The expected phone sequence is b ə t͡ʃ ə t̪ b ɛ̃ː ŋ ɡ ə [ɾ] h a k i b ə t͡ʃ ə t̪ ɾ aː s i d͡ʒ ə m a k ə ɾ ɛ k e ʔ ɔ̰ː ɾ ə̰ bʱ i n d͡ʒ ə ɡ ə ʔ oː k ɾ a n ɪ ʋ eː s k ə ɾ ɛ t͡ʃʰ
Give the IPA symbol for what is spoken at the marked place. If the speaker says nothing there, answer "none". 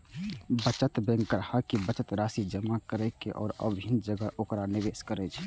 ɾ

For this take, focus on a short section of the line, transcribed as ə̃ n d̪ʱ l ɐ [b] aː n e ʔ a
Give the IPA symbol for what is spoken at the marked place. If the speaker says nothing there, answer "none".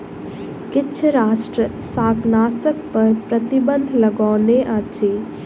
ɡ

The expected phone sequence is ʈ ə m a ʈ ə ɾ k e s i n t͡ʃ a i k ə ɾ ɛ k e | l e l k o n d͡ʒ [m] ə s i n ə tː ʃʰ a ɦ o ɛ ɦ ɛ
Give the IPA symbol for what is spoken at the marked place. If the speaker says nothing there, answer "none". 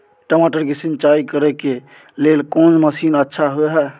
m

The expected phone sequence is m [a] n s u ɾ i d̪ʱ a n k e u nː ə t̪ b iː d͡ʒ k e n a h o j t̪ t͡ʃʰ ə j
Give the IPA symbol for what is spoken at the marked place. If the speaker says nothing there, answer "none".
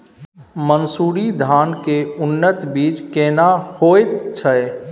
ə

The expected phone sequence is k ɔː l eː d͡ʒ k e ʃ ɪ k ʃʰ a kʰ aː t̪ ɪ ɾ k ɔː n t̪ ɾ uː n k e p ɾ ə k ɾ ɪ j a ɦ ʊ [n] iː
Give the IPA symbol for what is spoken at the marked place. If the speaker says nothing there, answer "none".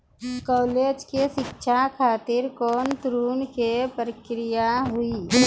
none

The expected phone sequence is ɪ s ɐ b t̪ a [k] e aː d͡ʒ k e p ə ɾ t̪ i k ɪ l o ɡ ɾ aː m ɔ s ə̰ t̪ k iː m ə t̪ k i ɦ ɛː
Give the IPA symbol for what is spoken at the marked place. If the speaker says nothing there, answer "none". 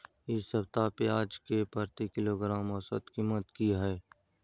p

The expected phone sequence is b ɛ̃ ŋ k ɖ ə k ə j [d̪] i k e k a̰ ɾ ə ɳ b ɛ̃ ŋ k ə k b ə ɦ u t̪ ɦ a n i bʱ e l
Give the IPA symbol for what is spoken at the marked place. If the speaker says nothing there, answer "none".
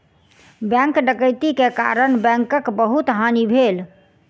t̪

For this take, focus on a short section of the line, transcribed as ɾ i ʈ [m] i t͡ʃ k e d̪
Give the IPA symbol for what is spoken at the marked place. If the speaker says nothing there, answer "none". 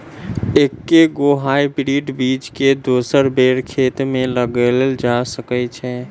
b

